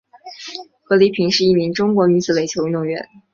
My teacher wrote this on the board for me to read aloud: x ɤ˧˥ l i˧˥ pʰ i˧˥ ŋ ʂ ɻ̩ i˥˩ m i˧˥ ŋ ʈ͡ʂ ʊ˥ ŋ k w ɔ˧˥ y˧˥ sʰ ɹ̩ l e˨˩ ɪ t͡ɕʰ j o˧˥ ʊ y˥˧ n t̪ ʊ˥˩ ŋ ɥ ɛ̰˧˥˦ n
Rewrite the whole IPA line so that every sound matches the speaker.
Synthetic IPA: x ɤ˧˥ l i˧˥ pʰ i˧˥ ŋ ʂ ɻ̩ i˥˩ m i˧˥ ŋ ʈ͡ʂ ʊ˥ ŋ k w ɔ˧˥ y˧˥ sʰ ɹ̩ l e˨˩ ɪ t͡ɕʰ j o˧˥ ʊ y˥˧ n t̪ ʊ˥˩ ŋ ɥ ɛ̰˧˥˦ n